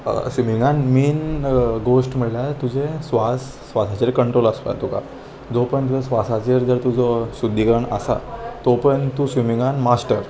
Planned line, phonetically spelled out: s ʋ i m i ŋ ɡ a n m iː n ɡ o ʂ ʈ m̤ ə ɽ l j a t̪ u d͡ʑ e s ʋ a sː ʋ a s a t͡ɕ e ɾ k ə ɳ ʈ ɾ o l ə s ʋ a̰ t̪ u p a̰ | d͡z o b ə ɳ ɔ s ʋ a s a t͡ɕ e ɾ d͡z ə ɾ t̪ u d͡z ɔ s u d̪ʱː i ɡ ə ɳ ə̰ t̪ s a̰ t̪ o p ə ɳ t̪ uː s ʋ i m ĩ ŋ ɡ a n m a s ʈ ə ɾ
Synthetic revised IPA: s ʋ i m i ŋ ɡ a n m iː n ɡ o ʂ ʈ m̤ ə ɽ l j a t̪ u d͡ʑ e s ʋ a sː ʋ a s a t͡ɕ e ɾ k ə ɳ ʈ ɾ o l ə s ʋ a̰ t̪ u k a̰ | d͡z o p ə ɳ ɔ s ʋ a s a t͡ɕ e ɾ d͡z ə ɾ t̪ u d͡z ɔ s u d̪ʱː i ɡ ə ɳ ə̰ s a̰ t̪ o p ə ɳ t̪ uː s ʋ i m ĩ ŋ ɡ a n m a s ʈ ə ɾ

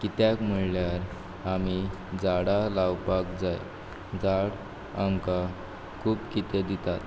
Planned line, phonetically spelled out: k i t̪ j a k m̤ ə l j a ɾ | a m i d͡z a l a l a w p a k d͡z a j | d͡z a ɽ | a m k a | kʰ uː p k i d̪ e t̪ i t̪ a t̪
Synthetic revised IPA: k i t̪ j a k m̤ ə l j a ɾ | a m i d͡z a ɽ a l a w p a k d͡z a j | d͡z a ɽ | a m k a | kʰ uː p k i t̪ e d̪ i t̪ a t̪

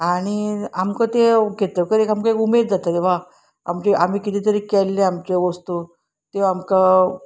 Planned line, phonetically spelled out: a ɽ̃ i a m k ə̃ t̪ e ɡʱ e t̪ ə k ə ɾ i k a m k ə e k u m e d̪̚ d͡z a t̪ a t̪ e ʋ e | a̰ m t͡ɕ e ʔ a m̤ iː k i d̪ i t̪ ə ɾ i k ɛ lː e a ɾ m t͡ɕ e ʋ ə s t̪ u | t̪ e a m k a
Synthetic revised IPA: a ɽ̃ i a m k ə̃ t̪ e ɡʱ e t̪ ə k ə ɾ e k a m k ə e k u m e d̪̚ d͡z a t̪ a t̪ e ʋ a | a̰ m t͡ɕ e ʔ a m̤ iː k i t̪ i t̪ ə ɾ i k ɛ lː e a m t͡ɕ e ʋ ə s t̪ u | t̪ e a m k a

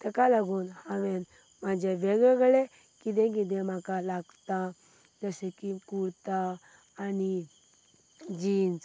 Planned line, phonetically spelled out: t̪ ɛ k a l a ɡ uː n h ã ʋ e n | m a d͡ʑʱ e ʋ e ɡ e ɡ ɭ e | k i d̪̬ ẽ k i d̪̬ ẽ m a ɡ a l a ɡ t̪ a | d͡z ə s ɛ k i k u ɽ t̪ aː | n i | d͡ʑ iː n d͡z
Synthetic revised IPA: t̪ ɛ k a l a ɡ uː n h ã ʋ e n | m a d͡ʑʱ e ʋ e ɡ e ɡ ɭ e | k i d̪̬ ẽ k i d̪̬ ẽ m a k a l a ɡ t̪ a | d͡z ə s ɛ k i k u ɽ t̪ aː | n i | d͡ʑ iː n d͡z

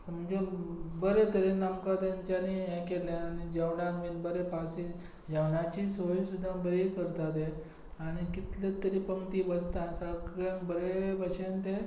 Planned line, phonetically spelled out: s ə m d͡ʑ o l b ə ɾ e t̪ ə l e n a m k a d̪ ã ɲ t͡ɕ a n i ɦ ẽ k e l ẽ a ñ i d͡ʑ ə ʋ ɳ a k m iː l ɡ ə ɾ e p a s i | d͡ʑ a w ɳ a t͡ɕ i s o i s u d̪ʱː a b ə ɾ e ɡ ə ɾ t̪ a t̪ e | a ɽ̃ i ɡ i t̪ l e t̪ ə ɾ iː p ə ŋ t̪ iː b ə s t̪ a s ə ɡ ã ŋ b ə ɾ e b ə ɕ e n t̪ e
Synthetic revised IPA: s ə m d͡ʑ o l b ə ɾ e t̪ ə ɾ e n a m k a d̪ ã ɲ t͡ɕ a n i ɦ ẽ k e l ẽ a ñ i d͡ʑ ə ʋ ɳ a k m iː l b ə ɾ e p a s i | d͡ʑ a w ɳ a t͡ɕ i s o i s u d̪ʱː a b ə ɾ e k ə ɾ t̪ a t̪ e | a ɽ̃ i k i t̪ l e t̪ ə ɾ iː p ə ŋ t̪ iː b ə s t̪ a s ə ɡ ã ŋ b ə ɾ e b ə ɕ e n t̪ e

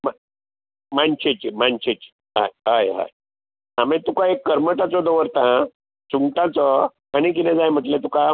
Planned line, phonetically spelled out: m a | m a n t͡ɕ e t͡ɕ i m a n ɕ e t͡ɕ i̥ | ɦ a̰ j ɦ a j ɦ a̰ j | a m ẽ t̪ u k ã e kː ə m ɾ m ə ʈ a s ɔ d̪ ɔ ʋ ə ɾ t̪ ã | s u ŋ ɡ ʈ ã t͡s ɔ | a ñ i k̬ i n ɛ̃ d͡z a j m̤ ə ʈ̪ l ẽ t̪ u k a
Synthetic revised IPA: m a | m a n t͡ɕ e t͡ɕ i m a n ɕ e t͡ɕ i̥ | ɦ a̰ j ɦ a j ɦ a̰ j | a m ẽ t̪ u k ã e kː ə ɾ m ə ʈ a t͡s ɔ d̪ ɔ ʋ ə ɾ t̪ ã | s u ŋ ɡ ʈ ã t͡s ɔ | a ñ i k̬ i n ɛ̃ d͡z a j m̤ ə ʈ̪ l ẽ t̪ u k a

